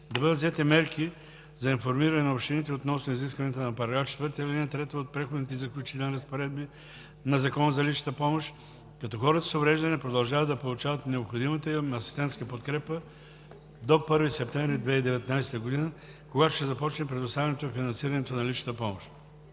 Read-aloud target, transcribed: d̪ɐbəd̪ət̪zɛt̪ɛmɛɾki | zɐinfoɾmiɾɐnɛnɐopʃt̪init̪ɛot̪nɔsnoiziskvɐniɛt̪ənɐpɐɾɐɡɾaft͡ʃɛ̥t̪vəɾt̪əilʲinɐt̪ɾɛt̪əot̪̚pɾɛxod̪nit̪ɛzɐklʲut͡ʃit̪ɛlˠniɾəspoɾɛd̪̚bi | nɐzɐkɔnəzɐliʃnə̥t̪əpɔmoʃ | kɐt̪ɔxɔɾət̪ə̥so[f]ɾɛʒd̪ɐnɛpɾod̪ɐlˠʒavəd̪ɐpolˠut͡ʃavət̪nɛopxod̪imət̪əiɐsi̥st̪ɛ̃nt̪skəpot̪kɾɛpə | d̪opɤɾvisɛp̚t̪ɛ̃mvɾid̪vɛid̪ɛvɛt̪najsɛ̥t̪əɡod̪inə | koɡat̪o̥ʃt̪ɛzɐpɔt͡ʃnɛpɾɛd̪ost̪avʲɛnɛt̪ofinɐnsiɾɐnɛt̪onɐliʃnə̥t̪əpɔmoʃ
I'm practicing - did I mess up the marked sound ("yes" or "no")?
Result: yes